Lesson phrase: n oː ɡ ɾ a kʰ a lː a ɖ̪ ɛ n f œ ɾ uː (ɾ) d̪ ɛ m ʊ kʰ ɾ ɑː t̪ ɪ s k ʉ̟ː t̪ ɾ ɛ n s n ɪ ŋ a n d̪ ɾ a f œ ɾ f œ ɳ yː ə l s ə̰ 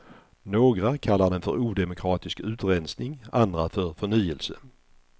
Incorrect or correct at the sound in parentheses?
incorrect: none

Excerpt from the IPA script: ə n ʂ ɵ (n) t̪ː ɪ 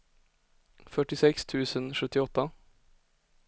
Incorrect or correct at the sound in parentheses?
incorrect: none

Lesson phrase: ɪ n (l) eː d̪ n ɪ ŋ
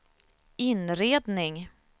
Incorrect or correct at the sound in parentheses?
incorrect: ɾ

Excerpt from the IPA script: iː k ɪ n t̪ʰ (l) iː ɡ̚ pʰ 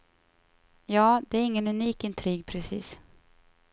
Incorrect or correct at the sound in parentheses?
incorrect: ɾ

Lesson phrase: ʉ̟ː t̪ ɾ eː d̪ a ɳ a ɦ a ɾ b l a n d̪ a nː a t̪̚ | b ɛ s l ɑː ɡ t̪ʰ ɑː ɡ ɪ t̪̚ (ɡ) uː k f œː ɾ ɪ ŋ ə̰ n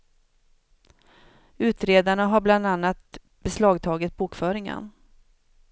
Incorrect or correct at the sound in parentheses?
incorrect: b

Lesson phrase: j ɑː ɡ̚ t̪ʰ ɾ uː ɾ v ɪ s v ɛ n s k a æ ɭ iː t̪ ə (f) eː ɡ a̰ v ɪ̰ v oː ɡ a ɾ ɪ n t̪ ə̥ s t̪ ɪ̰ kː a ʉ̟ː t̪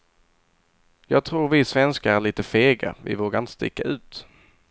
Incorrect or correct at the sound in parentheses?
correct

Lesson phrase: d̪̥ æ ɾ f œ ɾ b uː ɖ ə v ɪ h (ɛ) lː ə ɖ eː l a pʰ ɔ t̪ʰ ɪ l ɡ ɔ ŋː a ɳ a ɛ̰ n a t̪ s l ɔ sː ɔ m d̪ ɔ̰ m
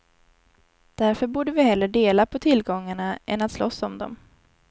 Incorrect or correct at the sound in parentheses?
correct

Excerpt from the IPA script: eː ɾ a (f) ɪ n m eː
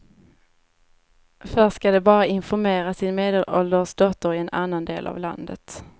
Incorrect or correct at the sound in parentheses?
incorrect: s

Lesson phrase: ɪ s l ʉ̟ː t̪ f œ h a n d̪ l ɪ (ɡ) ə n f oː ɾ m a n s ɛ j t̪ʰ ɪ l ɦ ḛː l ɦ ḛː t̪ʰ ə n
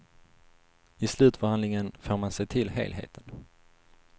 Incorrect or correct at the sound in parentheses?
incorrect: ŋ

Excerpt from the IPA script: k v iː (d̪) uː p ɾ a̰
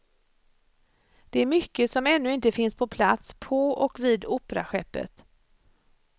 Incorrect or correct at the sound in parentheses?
correct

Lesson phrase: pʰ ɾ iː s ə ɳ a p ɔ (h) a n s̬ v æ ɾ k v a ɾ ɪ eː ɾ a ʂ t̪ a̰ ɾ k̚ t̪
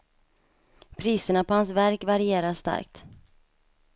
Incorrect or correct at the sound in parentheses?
correct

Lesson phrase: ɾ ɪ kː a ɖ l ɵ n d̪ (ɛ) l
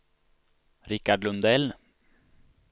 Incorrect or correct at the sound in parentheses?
correct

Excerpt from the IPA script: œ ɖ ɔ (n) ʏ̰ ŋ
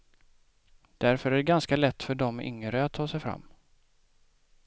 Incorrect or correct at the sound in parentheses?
incorrect: m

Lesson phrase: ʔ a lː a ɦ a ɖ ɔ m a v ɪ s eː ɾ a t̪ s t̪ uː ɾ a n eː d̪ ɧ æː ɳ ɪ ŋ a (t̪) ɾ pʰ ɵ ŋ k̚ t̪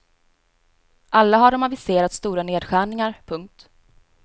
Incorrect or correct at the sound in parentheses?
incorrect: none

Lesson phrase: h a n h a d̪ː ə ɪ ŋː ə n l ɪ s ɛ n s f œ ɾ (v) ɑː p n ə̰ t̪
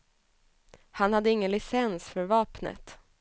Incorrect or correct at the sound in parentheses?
correct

